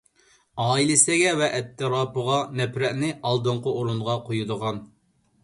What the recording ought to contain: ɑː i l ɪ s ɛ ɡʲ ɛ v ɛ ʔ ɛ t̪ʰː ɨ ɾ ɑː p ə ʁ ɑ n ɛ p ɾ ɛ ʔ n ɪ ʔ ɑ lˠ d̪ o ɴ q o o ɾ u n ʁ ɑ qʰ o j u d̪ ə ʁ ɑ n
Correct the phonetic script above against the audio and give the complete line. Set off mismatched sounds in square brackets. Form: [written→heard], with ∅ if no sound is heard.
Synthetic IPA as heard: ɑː i l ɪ s ɛ ɡʲ ɛ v ɛ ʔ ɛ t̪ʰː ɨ ɾ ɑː p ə ʁ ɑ n ɛ p ɾ ɛ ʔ n ɪ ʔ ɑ lˠ d̪ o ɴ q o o ɾ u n ʁ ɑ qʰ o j u d̪ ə ʁ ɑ n